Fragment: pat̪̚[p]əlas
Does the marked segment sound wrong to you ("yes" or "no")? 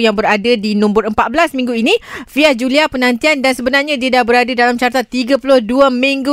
yes